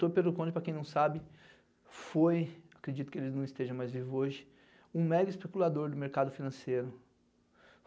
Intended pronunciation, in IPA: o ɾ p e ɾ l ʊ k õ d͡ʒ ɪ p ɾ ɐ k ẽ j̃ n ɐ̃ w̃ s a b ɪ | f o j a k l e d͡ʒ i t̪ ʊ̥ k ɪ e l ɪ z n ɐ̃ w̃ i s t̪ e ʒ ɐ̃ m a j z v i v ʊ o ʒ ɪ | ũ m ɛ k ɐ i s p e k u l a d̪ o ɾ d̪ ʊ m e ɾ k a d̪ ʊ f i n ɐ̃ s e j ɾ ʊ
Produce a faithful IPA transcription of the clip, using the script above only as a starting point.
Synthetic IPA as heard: o ɾ p e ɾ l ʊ k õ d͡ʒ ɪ p ɾ ɐ k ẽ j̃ n ɐ̃ w̃ s a b ɪ | f o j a k ɾ e d͡ʒ i t̪ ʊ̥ k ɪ e l ɪ z n ɐ̃ w̃ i s t̪ e ʒ ɐ̃ m a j z v i v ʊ o ʒ ɪ | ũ m ɛ ɡ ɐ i s p e k u l a d̪ o ɾ d̪ ʊ m e ɾ k a d̪ ʊ f i n ɐ̃ s e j ɾ ʊ